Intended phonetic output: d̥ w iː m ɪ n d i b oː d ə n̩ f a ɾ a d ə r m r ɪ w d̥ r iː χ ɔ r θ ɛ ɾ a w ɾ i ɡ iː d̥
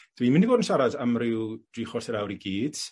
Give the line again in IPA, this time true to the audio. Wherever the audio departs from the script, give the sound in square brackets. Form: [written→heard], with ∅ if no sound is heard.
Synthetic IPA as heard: d̥ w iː m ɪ n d i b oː d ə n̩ [f→ʃ] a ɾ a d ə [r→∅] m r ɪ w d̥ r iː χ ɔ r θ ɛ ɾ a w ɾ i ɡ iː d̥